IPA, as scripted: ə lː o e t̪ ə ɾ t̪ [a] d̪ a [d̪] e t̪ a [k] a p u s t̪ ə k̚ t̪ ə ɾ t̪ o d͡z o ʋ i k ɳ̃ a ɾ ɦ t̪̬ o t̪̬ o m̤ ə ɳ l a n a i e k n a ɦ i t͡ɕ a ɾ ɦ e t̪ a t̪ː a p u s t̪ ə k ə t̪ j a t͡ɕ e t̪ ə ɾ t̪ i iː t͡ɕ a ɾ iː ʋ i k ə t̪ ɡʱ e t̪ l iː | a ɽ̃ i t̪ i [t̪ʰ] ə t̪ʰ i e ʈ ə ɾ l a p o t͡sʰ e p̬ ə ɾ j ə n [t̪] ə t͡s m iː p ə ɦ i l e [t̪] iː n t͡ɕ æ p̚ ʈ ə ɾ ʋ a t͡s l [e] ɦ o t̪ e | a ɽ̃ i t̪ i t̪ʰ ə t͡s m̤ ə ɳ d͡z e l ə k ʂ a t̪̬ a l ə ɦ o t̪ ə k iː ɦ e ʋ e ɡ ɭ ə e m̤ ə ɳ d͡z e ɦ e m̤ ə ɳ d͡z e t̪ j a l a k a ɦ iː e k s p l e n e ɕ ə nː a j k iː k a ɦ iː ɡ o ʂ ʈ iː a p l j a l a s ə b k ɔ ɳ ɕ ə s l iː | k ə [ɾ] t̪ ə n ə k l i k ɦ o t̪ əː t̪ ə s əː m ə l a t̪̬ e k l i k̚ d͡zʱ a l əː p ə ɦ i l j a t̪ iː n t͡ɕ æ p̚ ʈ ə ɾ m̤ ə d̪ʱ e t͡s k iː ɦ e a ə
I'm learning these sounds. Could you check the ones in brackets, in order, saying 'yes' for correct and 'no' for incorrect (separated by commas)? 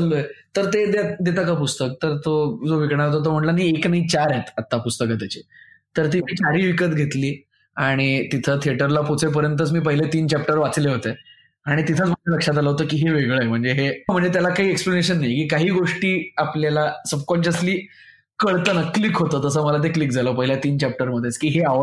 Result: no, yes, yes, yes, yes, yes, yes, no